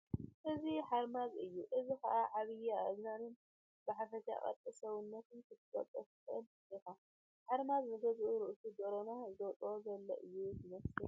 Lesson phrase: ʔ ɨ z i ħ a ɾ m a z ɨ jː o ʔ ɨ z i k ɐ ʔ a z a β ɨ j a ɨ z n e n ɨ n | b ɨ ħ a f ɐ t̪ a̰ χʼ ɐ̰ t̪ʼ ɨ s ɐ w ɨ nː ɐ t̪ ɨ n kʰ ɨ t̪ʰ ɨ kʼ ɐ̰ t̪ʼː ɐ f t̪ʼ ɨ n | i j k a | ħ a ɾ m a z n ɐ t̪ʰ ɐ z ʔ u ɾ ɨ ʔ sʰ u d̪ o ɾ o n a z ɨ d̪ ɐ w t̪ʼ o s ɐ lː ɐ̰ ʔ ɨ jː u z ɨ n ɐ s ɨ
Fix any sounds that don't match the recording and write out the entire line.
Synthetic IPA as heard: ʔ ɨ z i ħ a ɾ m a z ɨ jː u ʔ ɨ z i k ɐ ʔ a ʕ a β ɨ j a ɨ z n a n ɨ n | b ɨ ħ a f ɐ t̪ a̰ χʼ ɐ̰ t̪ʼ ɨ s ɐ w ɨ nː ɐ t̪ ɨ n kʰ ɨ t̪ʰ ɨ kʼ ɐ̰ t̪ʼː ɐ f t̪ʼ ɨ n | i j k a | ħ a ɾ m a z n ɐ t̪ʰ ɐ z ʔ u ɾ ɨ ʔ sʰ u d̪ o ɾ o n a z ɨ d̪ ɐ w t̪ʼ o z ɐ lː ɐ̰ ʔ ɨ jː u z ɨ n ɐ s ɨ

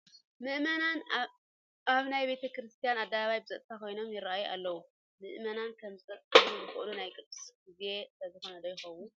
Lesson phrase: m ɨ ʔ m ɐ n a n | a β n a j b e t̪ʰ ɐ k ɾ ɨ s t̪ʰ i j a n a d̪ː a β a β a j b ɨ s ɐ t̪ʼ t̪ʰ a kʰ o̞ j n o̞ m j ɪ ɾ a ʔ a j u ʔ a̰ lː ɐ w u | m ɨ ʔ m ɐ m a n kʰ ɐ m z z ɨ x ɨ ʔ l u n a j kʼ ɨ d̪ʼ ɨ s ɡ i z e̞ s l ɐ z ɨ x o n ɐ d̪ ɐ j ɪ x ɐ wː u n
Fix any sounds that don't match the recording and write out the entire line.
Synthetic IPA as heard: m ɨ ʔ m ɐ n a n | a β n a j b e t̪ʰ ɐ k ɾ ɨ s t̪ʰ i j a n a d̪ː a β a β a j b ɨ z ɐ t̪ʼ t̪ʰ a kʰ o̞ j n o̞ m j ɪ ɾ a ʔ a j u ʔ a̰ lː ɐ w u | m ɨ ʔ m ɐ n a n kʰ ɐ m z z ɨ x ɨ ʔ l u n a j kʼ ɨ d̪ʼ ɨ s ɡ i z e̞ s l ɐ z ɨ x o n ɐ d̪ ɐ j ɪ x ɐ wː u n

